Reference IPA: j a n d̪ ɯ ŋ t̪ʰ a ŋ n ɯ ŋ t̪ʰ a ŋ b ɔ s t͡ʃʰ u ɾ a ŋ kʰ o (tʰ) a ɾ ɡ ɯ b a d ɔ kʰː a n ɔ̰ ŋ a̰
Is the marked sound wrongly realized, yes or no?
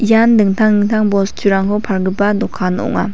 yes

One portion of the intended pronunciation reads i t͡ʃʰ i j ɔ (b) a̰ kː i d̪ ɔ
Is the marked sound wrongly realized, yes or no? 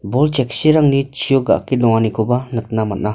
yes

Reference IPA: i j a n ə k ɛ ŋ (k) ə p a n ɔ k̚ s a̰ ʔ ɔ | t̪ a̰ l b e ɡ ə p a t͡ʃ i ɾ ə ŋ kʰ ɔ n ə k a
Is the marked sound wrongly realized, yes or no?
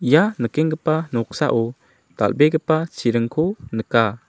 yes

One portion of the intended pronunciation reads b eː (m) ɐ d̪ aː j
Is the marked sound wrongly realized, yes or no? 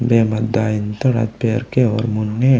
no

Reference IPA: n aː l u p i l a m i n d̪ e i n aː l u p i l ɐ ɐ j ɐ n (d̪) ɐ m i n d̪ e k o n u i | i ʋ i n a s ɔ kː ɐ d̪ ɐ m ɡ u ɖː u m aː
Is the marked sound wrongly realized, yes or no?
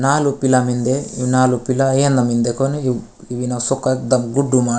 no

